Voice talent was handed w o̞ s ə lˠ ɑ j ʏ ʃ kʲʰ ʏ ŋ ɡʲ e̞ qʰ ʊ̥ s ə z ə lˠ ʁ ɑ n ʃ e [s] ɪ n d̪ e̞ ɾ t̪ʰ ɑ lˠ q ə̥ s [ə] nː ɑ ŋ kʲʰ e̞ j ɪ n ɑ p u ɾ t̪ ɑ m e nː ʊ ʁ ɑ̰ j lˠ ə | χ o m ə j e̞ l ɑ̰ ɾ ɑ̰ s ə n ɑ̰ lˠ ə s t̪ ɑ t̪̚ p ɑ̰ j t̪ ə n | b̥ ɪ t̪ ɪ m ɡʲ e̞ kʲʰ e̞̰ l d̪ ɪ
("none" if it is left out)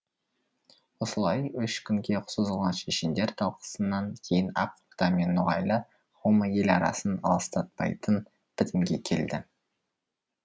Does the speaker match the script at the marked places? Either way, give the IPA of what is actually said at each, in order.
ʃ, ə

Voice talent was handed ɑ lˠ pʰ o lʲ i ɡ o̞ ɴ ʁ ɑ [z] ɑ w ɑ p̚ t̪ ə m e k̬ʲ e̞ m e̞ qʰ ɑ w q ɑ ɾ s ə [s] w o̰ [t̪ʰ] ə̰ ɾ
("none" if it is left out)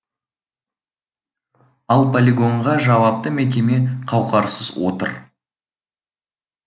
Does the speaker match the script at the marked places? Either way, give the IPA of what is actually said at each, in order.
ʒ, z, t̪

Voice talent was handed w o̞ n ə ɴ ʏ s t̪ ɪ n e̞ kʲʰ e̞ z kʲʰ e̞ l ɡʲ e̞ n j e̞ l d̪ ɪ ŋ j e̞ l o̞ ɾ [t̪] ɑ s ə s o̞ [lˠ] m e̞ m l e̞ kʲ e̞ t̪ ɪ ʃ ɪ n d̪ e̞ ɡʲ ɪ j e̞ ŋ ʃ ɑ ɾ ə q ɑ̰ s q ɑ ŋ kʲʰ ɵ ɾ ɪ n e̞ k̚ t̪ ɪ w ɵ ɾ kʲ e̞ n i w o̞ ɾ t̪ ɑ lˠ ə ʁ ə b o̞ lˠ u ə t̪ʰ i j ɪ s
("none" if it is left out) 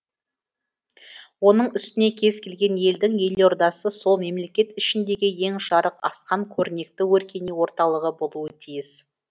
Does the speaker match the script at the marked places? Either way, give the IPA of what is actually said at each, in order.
d̪, lˠ

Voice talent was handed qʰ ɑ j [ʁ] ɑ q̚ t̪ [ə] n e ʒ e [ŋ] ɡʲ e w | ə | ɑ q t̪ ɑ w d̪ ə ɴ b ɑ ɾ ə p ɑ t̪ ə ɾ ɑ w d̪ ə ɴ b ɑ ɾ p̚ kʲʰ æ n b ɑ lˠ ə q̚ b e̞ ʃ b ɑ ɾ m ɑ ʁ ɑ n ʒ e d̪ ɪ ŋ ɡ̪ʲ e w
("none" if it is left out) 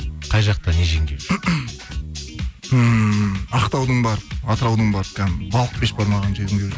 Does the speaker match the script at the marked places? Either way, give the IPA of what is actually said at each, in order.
ʒ, ɑ, ŋ

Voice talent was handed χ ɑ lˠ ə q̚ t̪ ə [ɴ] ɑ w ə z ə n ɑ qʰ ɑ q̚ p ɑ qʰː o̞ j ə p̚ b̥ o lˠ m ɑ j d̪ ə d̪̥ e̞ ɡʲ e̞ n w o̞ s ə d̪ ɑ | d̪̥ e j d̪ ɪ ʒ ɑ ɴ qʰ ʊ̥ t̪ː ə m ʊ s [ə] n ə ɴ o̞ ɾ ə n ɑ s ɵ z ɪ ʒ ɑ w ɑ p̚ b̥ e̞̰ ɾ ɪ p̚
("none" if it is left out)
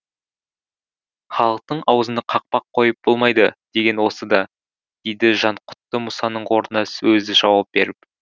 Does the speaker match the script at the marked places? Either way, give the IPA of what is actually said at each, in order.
ɴ, ɑ

